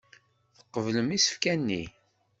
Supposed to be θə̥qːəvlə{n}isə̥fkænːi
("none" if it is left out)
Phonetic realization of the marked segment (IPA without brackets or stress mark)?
m